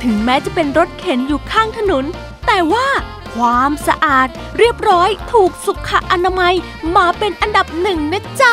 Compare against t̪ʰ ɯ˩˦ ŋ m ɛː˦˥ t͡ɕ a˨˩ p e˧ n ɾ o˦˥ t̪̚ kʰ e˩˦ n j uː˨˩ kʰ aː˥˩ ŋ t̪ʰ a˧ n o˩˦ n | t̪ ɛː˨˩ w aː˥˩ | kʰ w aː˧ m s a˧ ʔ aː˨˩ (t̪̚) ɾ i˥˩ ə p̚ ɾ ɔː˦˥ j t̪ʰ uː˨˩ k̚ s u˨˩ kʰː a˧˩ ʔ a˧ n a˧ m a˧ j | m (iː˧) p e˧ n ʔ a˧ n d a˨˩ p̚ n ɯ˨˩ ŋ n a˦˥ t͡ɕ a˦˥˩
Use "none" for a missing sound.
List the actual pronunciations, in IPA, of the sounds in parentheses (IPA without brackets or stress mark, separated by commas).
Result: t̪̚, aː˧